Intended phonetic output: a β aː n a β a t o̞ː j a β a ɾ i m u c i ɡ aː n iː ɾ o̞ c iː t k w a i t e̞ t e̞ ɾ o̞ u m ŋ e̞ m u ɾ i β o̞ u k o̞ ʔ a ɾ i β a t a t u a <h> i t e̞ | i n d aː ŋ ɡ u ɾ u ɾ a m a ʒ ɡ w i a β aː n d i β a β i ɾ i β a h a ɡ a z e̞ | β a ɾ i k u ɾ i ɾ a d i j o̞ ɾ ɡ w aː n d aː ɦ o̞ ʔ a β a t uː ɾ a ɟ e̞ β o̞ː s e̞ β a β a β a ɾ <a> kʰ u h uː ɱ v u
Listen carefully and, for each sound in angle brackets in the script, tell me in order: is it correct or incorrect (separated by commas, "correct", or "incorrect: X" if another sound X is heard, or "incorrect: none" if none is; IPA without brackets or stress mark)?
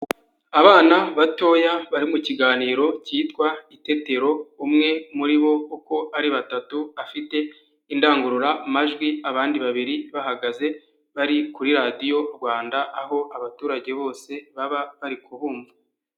incorrect: f, incorrect: i